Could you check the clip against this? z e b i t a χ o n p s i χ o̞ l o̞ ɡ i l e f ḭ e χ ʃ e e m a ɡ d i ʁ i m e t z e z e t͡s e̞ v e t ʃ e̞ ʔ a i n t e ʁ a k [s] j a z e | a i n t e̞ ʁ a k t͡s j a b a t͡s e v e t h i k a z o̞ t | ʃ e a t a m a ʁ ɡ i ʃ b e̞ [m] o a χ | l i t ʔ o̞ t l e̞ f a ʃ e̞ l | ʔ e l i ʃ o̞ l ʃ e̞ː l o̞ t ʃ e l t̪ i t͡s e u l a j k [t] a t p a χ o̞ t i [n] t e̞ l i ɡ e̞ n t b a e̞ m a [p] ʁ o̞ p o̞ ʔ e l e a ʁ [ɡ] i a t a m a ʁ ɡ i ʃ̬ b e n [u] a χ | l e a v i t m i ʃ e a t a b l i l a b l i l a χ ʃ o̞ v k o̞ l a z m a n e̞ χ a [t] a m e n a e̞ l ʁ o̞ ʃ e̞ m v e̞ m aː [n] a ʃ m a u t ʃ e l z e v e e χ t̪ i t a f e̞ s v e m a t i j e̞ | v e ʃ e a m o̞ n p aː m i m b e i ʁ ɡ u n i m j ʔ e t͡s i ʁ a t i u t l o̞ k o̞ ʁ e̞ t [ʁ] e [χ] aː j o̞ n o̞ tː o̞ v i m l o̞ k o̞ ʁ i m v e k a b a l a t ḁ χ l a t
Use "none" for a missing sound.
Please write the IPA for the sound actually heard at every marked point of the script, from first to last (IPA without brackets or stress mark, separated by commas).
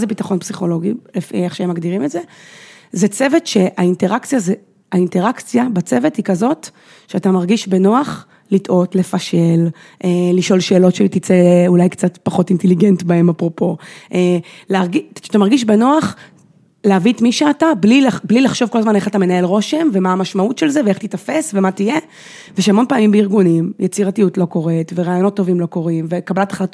t͡s, n, t͡s, n, p, ɡ, o, t, m, v, ʁ